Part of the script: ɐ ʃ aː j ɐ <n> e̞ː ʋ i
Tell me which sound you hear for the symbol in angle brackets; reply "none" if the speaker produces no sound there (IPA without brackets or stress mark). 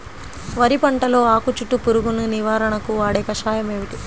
m